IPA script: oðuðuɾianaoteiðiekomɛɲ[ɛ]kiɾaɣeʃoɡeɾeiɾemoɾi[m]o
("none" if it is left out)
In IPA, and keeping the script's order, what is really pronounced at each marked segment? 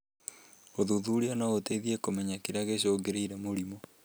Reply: a, m

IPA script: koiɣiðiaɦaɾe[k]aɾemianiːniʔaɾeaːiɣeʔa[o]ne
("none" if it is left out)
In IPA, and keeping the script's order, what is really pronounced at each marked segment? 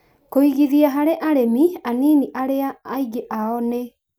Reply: ʔ, ɔ

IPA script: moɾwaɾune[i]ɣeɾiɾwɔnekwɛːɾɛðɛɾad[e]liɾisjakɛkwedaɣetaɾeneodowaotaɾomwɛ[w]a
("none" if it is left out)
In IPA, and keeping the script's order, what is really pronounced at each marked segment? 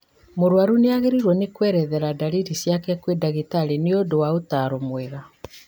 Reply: a, a, ɣ

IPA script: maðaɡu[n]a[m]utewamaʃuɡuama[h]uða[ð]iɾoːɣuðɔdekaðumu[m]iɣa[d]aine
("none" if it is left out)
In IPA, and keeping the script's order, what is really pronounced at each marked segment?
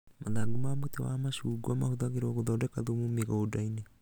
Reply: m, m, h, ɣ, m, d

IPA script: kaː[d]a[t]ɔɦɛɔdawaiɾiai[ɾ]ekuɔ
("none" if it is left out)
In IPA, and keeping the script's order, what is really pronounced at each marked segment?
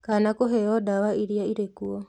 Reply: n, k, ɾ

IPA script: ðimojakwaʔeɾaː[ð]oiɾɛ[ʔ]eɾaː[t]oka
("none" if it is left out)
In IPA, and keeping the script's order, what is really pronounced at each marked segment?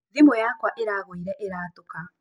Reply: ɣ, ʔ, t

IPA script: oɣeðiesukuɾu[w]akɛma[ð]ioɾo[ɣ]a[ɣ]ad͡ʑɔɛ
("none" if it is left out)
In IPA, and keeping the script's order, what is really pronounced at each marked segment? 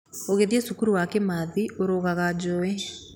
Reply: w, ð, ɣ, ɣ

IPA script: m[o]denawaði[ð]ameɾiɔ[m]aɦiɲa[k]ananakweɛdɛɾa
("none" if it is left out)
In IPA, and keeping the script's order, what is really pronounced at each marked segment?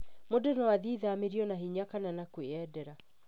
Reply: o, ð, n, k

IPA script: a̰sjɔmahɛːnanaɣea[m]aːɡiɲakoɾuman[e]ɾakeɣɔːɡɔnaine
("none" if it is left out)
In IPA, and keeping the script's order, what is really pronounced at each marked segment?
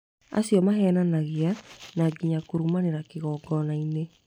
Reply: n, e

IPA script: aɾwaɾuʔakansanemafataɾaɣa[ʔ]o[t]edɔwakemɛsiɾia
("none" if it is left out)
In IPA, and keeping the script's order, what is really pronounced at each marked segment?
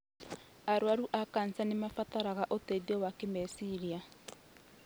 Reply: ʔ, t

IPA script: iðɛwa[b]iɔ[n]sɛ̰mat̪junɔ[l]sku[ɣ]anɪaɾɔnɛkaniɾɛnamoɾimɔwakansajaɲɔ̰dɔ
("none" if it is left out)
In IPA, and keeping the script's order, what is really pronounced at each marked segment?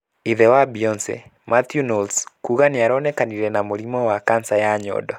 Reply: b, n, l, ɣ

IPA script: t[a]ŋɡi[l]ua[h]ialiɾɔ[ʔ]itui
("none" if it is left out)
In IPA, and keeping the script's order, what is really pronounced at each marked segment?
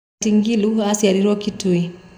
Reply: i, l, s, k

